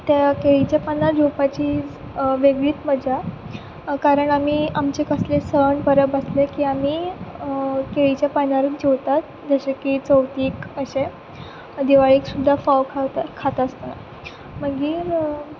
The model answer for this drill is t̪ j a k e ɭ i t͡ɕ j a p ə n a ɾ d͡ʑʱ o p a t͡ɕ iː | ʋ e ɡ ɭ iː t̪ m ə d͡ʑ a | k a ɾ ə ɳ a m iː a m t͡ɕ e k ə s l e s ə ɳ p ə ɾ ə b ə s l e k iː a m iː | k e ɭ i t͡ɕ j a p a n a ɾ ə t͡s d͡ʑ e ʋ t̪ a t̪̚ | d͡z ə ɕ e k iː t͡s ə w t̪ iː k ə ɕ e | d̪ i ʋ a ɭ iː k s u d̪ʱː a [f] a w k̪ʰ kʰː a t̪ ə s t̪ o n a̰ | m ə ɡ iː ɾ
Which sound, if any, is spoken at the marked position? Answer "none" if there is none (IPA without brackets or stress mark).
f